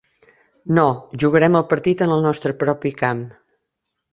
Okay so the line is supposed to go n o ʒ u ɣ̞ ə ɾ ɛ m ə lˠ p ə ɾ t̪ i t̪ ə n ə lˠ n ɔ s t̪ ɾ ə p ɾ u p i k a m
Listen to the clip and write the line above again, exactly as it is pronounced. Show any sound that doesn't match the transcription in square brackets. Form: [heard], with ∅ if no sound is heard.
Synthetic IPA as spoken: n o ʒ u ɣ̞ ə ɾ ɛ m ə lˠ p ə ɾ t̪ i t̪ ə n ə lˠ n ɔ s t̪ ɾ ə p ɾ [ɔ] p i k a m